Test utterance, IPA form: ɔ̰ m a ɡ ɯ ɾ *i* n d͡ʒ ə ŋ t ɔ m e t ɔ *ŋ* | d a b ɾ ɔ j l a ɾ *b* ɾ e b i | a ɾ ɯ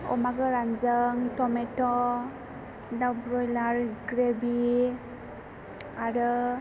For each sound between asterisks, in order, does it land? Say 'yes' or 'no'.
no, no, no

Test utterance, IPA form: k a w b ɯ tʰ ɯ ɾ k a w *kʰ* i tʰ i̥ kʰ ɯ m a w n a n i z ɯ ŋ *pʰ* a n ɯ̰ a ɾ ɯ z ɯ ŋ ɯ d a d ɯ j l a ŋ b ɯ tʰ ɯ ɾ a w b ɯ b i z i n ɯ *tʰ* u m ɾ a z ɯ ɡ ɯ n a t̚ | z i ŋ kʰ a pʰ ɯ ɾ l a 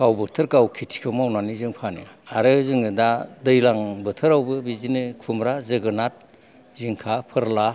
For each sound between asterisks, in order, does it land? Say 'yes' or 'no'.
yes, yes, no

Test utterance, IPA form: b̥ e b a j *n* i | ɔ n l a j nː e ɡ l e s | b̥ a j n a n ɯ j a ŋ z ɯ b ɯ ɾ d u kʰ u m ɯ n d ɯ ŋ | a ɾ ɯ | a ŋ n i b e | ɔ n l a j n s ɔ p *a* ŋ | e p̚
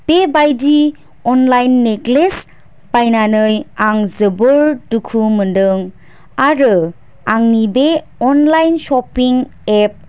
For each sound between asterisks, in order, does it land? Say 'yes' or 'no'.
no, no

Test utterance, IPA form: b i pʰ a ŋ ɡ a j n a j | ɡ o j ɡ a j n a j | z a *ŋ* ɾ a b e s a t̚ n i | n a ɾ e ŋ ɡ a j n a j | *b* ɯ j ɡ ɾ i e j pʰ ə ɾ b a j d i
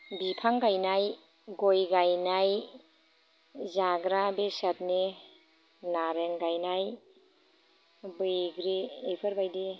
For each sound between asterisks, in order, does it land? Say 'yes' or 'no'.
no, yes

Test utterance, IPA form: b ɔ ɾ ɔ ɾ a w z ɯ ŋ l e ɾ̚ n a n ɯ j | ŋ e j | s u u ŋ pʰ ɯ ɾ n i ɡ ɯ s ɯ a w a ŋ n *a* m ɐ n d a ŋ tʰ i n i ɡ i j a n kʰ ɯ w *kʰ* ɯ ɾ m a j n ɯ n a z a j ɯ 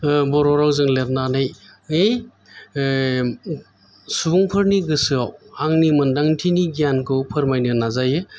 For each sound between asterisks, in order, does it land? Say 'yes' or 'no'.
no, no

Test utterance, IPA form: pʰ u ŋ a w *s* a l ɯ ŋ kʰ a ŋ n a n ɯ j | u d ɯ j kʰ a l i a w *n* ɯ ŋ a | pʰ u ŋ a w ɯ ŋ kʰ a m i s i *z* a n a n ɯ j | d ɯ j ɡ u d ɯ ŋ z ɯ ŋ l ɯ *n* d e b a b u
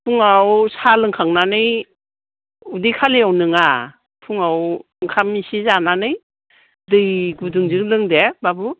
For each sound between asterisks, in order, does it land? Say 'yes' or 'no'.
yes, yes, yes, no

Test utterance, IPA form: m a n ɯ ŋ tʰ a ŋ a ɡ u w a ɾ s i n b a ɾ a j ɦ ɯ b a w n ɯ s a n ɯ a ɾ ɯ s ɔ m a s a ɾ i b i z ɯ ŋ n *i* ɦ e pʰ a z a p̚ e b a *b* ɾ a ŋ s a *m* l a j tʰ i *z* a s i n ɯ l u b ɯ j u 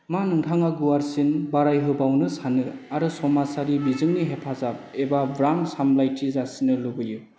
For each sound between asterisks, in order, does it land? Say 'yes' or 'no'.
yes, yes, yes, yes

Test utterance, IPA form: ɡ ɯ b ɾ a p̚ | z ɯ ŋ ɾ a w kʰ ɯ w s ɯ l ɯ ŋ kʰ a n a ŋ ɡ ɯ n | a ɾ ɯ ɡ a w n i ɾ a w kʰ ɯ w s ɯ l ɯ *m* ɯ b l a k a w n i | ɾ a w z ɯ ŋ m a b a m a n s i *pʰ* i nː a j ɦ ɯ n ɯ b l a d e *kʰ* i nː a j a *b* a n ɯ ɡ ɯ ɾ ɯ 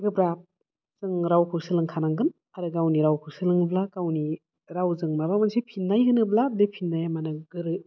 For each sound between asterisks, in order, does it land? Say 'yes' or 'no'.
no, yes, no, no

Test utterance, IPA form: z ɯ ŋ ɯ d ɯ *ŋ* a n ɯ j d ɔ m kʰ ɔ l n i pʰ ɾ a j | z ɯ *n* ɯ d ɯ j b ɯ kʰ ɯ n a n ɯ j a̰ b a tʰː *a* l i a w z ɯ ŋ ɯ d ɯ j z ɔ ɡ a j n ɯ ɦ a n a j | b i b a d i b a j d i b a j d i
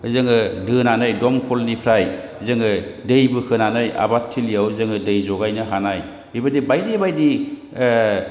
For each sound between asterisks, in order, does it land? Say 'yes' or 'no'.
no, no, no

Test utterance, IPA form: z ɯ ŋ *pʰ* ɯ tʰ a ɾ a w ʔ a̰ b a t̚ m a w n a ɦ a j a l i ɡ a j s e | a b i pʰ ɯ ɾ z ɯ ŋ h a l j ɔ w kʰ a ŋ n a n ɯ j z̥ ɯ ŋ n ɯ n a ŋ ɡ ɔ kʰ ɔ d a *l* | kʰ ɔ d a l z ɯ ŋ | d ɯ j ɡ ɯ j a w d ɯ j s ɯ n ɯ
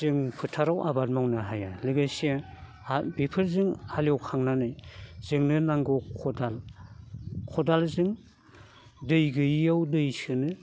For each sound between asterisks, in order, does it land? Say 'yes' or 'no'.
yes, yes

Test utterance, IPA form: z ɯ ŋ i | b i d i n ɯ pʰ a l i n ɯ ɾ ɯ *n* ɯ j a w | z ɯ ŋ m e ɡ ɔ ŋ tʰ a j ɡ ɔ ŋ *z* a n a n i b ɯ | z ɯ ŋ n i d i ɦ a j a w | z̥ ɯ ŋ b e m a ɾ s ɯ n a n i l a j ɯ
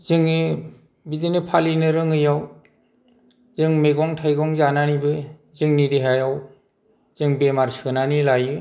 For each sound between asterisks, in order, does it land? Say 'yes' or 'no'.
no, yes

